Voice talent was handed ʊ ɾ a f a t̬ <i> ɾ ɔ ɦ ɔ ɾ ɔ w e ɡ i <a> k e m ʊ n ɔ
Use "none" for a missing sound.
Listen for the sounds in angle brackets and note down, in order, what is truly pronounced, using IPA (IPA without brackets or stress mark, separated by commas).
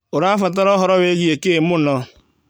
a, e